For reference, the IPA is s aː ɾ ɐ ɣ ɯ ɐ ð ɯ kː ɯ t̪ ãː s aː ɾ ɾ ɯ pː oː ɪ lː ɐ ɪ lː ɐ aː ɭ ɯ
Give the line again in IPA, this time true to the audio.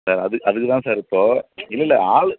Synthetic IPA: s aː ɾ ɐ ð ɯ ɐ ð ɯ kː ɯ t̪ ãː s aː ɾ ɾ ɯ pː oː ɪ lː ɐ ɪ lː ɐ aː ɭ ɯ